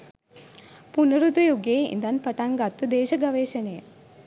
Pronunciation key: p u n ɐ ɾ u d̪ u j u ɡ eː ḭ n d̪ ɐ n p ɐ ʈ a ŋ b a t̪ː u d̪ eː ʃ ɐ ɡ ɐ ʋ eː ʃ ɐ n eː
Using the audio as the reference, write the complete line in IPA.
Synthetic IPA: p u n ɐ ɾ u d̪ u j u ɡ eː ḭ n d̪ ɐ n p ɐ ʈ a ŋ ɡ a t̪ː u d̪ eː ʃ ɐ ɡ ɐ ʋ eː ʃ ɐ n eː